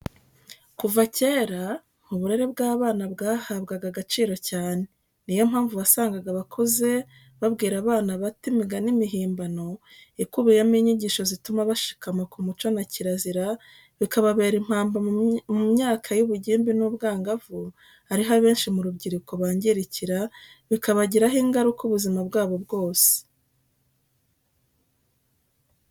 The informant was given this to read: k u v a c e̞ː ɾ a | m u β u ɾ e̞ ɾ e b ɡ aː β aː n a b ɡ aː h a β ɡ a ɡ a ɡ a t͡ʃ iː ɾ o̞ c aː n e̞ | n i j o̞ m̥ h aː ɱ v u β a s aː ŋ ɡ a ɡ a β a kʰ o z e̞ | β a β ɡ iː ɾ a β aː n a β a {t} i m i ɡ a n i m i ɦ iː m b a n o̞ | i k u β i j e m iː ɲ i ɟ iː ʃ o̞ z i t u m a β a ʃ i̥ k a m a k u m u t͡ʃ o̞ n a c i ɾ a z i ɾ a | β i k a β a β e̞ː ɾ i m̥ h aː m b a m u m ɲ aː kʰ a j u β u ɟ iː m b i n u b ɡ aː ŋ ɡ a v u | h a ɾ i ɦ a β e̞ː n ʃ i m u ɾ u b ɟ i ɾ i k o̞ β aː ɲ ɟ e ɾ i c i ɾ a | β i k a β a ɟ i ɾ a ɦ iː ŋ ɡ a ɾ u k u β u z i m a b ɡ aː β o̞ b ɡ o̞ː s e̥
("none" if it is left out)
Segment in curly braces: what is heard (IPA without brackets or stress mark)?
t